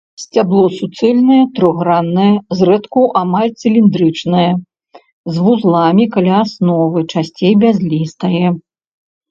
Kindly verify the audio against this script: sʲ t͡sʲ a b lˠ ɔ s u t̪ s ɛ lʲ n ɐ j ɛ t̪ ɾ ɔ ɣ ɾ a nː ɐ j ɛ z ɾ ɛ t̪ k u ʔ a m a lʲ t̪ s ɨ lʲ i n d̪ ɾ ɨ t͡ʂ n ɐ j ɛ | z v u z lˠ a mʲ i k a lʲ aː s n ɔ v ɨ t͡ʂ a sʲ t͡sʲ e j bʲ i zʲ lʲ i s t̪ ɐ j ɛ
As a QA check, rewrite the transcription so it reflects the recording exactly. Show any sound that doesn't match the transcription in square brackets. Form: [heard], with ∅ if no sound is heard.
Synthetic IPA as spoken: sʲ t͡sʲ a b lˠ ɔ s u t̪ s ɛ lʲ n ɐ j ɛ t̪ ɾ ɔ ɣ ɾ a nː ɐ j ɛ z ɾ ɛ t̪ k u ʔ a m a lʲ t̪ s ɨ lʲ i n d̪ ɾ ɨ t͡ʂ n ɐ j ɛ | z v u z lˠ a mʲ i k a lʲ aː s n ɔ v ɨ t͡ʂ a sʲ t͡sʲ e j bʲ [a] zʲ lʲ i s t̪ ɐ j ɛ